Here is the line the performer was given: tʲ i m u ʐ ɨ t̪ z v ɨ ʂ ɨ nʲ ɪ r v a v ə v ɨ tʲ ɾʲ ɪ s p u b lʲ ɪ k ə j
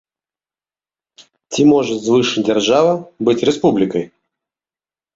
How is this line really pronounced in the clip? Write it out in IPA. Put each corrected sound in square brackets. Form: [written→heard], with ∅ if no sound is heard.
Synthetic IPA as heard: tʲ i m [u→o] ʐ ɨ t̪ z v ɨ ʂ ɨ [nʲ→dʲ] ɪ r [v→ʐ] a v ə [v→b] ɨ tʲ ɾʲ ɪ s p u b lʲ ɪ k ə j